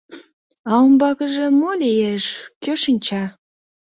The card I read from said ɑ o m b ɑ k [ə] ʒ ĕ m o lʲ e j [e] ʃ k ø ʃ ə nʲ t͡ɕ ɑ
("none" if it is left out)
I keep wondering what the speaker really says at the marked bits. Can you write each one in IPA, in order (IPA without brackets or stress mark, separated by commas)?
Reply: ə, e